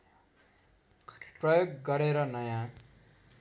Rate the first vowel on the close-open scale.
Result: mid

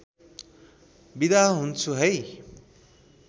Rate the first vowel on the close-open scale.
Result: close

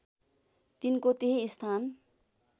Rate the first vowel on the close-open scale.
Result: close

